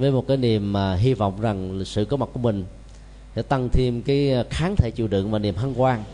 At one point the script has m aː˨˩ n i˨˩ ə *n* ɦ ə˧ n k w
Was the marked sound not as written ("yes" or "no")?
yes